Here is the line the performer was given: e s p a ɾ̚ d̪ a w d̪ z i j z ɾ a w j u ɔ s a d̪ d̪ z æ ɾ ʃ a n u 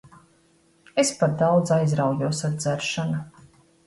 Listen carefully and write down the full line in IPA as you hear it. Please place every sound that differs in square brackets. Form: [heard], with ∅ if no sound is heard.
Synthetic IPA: e s p a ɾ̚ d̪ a w d̪ z [a] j z ɾ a w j u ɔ s a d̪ d̪ z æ ɾ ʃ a n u